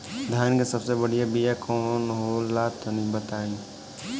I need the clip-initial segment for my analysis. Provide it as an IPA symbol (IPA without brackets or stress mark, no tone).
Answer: d̪ʱ